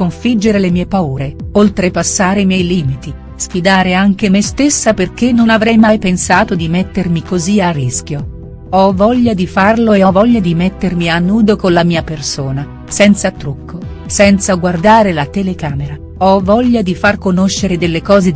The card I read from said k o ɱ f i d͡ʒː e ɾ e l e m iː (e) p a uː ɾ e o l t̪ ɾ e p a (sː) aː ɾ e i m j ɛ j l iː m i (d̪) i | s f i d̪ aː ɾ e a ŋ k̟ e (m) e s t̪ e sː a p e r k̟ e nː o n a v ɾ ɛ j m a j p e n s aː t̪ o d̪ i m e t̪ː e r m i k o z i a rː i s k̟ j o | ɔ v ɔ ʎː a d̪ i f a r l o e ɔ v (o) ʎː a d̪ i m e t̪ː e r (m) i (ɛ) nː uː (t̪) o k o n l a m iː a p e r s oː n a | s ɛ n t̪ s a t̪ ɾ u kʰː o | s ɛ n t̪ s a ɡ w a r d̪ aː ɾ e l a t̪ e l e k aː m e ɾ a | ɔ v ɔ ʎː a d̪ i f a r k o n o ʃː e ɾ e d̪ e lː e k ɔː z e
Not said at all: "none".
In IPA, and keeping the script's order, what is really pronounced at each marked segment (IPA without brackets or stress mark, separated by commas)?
e, sː, t̪, m, ɔ, m, a, d̪